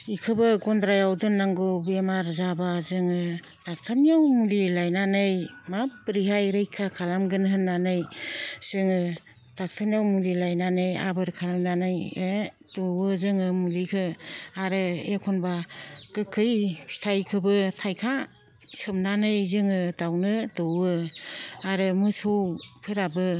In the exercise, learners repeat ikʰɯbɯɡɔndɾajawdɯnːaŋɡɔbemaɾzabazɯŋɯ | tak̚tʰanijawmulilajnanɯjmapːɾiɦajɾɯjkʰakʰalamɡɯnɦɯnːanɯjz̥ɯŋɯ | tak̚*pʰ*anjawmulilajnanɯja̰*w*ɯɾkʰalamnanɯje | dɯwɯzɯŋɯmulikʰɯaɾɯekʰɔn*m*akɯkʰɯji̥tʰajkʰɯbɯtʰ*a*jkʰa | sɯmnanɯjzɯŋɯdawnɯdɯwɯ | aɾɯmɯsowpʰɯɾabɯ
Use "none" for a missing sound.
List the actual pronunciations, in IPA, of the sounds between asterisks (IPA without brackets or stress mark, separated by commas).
tʰ, b, b, a